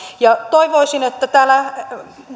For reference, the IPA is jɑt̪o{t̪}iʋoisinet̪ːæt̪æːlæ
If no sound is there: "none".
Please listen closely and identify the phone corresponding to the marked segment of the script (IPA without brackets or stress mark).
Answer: none